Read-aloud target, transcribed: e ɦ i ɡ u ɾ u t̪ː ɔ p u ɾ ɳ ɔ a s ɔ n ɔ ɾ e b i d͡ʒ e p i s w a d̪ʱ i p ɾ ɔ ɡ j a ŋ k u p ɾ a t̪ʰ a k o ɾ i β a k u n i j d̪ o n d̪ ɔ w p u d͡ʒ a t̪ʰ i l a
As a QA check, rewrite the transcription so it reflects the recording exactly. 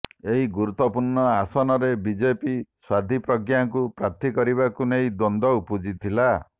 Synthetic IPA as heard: e ɦ i ɡ u ɾ u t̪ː ɔ p u ɾ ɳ ɔ a s ɔ n ɔ ɾ e b i d͡ʒ e p i s w a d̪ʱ i p ɾ ɔ ɡ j a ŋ k u p ɾ a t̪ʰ i k ɔ ɾ i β a k u n e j d̪ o n d̪ ɔ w p u d͡ʒ i t̪ʰ i l a